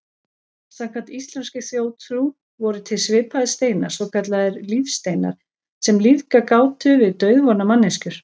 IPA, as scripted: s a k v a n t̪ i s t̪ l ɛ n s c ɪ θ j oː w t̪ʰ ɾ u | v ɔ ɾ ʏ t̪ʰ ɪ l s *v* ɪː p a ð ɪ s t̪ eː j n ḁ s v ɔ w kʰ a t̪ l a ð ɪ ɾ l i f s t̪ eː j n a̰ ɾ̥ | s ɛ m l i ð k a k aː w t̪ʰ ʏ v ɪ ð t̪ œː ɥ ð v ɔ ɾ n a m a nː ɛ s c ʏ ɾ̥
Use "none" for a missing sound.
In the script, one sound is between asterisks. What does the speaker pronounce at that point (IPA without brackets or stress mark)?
v